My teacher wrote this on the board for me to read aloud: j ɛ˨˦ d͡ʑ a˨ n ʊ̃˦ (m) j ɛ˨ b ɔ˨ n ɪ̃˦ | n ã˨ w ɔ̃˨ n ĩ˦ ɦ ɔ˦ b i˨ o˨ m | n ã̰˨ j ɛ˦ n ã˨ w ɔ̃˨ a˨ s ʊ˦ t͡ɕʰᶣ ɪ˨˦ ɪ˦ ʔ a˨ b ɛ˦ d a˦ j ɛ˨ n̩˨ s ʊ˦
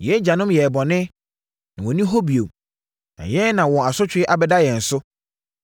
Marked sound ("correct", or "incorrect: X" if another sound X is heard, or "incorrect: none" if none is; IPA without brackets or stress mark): correct